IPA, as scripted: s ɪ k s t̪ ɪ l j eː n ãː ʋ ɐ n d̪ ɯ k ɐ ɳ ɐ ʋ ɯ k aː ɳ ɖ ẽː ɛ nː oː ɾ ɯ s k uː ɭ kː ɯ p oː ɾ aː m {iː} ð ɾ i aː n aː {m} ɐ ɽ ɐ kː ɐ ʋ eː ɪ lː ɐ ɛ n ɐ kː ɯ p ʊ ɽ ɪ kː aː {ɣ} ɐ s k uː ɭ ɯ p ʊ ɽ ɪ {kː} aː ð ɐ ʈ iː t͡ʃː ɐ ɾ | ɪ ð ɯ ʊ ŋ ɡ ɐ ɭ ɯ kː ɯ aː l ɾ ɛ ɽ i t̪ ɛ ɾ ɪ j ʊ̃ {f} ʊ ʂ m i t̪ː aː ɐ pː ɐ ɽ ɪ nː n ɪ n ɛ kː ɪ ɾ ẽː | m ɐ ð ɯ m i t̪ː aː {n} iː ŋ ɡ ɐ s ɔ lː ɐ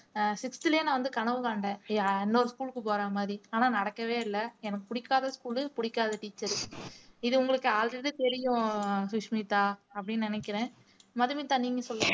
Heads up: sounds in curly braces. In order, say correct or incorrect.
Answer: incorrect, incorrect, incorrect, correct, incorrect, correct

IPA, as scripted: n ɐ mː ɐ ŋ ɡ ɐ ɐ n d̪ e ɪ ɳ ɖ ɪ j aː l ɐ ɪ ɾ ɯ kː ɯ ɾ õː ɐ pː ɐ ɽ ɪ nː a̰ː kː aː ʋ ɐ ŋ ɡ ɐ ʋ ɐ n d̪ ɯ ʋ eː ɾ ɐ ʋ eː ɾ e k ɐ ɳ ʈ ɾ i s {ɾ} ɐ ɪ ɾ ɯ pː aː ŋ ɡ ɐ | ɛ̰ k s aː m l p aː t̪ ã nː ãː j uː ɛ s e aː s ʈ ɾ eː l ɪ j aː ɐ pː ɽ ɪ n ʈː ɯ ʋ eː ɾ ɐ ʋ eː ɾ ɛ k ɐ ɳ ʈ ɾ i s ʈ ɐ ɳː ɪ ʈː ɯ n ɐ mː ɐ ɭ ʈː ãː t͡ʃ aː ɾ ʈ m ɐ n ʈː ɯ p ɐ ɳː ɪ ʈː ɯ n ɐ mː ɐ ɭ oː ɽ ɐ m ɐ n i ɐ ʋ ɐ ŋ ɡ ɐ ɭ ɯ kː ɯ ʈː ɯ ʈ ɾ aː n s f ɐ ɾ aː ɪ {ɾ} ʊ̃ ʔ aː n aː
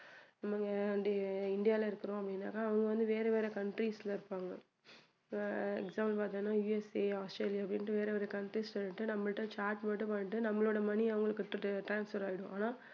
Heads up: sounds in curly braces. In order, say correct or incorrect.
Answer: incorrect, incorrect

